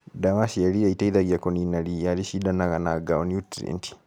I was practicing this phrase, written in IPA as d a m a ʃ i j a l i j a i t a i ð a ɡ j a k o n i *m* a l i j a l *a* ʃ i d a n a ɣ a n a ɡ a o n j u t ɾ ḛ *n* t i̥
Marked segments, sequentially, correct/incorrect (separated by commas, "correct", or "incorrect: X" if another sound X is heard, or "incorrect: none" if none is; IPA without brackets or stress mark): incorrect: n, incorrect: i, correct